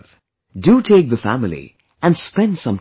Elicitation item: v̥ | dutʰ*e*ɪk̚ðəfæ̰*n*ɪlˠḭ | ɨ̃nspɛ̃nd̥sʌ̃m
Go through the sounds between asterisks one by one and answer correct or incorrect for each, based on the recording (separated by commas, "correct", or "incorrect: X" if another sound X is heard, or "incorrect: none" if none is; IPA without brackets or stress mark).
correct, incorrect: m